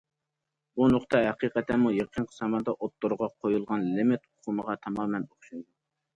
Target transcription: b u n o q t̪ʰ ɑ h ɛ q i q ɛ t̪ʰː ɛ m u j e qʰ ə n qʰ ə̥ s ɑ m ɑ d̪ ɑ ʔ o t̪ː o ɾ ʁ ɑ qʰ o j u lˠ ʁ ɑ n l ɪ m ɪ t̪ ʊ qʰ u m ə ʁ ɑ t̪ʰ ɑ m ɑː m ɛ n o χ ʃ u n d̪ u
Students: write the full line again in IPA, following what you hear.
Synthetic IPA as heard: b u n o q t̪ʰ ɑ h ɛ q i q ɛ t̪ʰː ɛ m u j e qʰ ə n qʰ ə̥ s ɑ m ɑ d̪ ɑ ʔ o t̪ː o ɾ ʁ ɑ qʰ o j u lˠ ʁ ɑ n l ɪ m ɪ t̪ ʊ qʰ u m ə ʁ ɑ t̪ʰ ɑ m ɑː m ɛ n o χ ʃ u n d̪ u

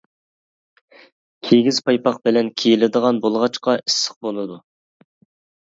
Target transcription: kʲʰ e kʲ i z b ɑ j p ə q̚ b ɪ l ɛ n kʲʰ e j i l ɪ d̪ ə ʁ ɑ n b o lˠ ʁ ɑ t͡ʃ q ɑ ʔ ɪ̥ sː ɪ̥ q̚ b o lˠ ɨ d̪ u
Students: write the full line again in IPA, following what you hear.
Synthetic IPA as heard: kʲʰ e ɡʲ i z p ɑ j p ɑ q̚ b ɪ l ɛ n kʲʰ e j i l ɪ d̪ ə ʁ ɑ n b o lˠ ʁ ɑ t͡ʃ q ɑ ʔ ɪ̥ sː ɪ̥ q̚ b o lˠ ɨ d̪ u

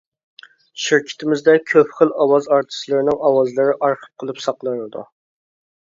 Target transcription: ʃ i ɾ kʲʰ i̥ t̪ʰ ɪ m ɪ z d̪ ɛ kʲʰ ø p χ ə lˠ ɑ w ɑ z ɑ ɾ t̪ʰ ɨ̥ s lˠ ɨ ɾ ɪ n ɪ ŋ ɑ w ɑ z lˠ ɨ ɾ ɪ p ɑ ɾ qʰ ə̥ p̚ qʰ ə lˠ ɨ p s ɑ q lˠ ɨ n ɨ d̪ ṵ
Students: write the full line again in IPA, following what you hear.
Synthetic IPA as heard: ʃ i ɾ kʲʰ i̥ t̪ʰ ɪ m ɪ z d̪ ɛ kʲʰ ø p χ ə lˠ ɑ w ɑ z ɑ ɾ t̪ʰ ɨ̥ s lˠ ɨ ɾ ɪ n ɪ ŋ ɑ w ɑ z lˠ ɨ ɾ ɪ ʔ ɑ ɾ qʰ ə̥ p̚ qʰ ə lˠ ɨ p s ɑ q lˠ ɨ n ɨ d̪ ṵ

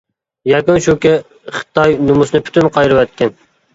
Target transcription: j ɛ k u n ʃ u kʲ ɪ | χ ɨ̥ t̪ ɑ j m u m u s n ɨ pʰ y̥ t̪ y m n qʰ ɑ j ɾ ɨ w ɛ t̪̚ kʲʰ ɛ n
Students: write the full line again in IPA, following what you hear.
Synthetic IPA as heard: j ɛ k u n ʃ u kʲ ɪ | χ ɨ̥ t̪ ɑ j n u m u s n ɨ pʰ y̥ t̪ y n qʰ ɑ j ɾ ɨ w ɛ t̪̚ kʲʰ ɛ n

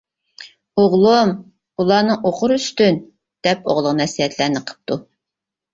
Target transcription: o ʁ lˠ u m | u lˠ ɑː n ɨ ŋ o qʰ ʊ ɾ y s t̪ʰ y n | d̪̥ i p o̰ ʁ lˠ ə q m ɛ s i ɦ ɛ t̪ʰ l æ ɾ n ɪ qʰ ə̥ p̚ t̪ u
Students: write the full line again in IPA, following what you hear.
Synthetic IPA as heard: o ʁ lˠ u m | u lˠ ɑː n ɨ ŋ o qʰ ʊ ɾ y s t̪ y n | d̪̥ ɛ p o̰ ʁ lˠ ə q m ɛ s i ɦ ɛ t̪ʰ l æ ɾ n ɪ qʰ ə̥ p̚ t̪ u

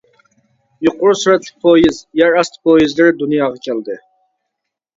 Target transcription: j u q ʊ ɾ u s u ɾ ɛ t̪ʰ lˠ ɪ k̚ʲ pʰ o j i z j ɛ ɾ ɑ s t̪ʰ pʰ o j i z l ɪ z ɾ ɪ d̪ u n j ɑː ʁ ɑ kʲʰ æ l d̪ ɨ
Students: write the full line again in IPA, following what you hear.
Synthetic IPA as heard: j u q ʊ ɾ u s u ɾ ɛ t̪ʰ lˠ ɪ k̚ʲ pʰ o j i z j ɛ ɾ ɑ s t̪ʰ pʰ o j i z l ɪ ɾ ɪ d̪ u n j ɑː ʁ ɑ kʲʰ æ l d̪ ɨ

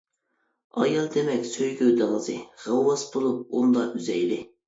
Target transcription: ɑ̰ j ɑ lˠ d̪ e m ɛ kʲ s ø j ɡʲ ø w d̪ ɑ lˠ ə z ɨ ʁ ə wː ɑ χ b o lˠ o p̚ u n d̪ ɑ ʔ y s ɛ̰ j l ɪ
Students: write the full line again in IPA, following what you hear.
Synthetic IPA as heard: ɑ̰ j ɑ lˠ d̪ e m ɛ kʲ s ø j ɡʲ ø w d̪ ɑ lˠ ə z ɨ ʁ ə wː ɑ s b o lˠ u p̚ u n d̪ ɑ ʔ y z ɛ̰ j l ɪ

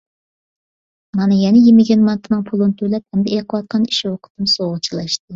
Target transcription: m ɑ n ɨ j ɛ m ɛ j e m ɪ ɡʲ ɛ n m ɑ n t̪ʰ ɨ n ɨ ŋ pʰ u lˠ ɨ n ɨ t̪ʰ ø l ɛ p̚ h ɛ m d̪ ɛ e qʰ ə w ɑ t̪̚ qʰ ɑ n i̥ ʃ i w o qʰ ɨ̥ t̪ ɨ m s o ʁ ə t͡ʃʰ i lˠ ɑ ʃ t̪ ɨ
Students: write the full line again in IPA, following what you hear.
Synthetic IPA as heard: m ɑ n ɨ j ɛ n ɛ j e m ɪ ɡʲ ɛ n m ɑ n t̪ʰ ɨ n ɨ ŋ pʰ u lˠ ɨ n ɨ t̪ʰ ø l ɛ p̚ h ɛ m d̪ ɛ e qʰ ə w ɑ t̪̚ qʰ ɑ n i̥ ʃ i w o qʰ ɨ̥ t̪ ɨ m s o ʁ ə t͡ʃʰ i lˠ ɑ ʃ t̪ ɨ

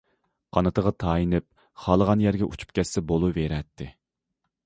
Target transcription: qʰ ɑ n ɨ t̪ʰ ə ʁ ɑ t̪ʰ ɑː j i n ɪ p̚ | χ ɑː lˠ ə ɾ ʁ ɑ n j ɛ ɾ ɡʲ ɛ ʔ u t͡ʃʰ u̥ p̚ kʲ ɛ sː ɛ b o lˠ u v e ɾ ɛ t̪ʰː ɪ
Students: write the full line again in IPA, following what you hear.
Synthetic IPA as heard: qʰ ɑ n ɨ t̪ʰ ə ʁ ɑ t̪ʰ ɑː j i n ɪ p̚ | χ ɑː lˠ ə ʁ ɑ n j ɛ ɾ ɡʲ ɛ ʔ u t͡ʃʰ u̥ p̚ kʲ ɛ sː ɛ b o lˠ u v e ɾ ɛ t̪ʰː ɪ

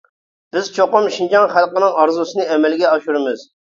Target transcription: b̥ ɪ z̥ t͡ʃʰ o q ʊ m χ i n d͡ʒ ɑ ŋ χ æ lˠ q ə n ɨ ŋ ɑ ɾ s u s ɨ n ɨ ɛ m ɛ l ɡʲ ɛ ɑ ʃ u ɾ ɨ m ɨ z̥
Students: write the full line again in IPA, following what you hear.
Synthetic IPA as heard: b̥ ɪ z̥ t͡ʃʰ o q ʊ m ʃ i n d͡ʒ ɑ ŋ χ æ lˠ q ə n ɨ ŋ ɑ ɾ z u s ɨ n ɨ ɛ m ɛ l ɡʲ ɛ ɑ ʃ u ɾ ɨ m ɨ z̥

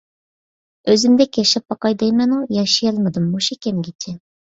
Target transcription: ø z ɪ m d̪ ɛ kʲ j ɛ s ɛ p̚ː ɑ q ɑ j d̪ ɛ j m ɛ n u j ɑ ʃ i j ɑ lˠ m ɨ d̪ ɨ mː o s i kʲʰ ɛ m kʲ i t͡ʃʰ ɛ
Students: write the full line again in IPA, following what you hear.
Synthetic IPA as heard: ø z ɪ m d̪ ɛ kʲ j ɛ ʃ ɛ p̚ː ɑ q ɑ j d̪ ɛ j m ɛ n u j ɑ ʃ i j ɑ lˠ m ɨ d̪ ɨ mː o ʃ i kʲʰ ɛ m ɡʲ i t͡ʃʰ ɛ

